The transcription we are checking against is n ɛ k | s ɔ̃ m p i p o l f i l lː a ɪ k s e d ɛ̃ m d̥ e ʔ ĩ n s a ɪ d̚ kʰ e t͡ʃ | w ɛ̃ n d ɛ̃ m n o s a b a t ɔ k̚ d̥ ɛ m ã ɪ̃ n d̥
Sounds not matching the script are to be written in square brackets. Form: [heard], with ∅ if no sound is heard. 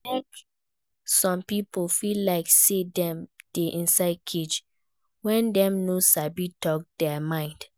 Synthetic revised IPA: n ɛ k | s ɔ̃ m p i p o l f i l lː a ɪ k s e d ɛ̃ m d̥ e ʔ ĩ n s a ɪ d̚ kʰ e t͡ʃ | w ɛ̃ n d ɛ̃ m n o s a b [i] t ɔ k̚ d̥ ɛ m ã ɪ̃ n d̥